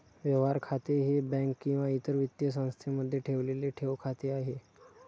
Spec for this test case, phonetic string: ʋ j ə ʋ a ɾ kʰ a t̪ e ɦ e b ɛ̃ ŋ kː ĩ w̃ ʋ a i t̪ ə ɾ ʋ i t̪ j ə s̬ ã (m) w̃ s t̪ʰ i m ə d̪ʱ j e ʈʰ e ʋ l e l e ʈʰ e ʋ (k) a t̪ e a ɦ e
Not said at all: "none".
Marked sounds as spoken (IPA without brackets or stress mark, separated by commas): none, kʰ